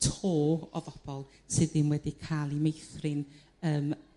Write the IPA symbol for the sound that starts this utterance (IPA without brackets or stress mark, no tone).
tʰ